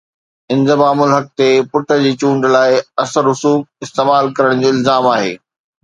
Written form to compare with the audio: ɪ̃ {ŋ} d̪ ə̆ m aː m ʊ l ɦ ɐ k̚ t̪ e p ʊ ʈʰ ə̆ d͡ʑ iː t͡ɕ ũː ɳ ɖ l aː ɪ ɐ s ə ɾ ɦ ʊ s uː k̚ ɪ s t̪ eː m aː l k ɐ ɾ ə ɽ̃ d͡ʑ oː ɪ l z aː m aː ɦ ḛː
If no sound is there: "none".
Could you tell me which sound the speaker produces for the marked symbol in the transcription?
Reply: n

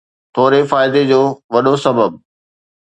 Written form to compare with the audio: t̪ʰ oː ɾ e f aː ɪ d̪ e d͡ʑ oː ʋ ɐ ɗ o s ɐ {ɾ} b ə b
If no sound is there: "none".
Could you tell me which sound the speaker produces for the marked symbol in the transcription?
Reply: none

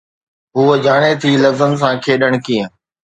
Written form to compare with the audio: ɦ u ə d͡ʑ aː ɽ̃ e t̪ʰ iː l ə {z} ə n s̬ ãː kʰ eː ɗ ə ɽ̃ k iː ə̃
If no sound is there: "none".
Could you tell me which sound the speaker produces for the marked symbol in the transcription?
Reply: z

